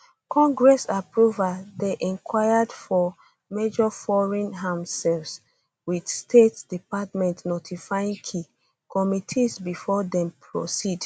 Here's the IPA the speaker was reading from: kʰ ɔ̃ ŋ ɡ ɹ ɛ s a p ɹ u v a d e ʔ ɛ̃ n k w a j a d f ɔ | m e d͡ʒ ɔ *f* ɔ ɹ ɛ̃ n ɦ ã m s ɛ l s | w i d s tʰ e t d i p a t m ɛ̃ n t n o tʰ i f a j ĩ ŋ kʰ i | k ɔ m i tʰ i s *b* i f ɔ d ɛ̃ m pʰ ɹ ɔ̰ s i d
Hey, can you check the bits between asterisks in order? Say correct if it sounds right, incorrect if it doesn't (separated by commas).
correct, correct